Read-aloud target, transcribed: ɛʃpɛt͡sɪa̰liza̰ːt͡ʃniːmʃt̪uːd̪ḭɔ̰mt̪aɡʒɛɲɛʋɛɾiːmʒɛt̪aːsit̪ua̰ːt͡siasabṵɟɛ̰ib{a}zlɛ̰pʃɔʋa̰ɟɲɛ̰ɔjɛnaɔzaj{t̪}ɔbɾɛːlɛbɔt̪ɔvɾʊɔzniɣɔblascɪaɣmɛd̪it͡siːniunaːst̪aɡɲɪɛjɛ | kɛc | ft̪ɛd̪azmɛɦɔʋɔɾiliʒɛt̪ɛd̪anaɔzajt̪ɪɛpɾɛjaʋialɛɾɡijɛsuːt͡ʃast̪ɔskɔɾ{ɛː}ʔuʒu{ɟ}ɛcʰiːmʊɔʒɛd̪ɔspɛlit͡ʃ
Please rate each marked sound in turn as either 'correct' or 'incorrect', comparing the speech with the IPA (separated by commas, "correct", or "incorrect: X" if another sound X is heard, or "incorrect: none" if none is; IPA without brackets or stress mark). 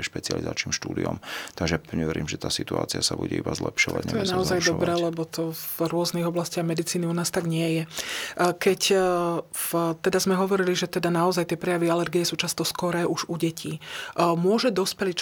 correct, incorrect: d̪, correct, correct